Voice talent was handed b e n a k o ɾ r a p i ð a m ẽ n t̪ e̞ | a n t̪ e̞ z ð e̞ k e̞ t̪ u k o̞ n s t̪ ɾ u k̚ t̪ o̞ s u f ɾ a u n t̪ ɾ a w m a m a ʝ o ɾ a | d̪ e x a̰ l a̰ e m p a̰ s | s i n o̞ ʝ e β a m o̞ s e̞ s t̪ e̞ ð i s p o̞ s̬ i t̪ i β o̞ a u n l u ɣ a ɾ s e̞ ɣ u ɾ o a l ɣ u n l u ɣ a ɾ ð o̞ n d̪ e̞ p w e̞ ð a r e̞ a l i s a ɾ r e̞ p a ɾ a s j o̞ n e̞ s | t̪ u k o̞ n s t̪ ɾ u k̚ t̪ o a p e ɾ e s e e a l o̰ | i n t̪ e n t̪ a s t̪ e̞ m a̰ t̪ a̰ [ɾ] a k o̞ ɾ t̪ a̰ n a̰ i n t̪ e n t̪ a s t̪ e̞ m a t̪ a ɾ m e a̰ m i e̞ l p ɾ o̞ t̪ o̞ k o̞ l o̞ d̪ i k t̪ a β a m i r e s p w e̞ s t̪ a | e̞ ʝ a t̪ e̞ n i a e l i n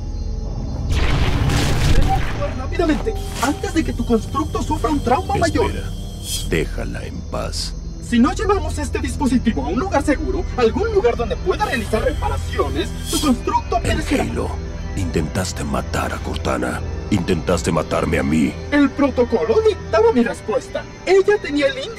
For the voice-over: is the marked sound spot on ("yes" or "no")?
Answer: yes